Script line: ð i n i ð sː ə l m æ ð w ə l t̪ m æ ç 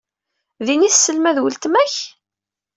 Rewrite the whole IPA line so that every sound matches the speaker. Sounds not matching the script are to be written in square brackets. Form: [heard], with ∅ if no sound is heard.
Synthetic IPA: ð i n i [θ] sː ə l m æ ð w ə l t̪ m æ ç